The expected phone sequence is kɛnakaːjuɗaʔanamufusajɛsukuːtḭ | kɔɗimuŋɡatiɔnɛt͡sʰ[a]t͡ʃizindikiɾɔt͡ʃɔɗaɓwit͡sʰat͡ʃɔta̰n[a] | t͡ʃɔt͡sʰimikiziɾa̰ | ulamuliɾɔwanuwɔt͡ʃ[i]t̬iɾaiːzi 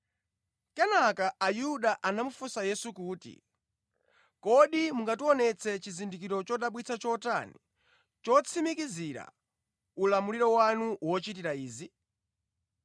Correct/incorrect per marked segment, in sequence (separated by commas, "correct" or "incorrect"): incorrect, incorrect, correct